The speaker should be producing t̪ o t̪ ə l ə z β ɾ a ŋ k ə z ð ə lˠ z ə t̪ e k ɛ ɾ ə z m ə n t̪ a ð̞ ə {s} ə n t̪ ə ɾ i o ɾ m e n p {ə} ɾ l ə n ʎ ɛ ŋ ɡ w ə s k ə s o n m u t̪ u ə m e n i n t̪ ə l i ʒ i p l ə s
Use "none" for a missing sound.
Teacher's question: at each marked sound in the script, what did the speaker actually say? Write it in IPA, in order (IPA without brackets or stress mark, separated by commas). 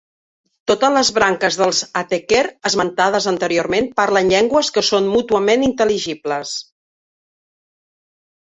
z, a